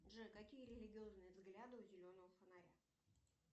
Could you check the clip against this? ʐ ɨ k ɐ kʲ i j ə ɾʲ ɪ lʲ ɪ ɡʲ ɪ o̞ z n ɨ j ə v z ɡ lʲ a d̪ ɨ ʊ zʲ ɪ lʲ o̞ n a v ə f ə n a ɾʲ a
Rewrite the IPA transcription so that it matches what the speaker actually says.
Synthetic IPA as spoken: ʐ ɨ k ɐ kʲ i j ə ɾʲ ɪ lʲ ɪ ɡʲ ɪ o̞ z n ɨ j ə v z ɡ lʲ a d̪ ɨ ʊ zʲ ɪ lʲ o̞ n ə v ə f ə n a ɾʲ a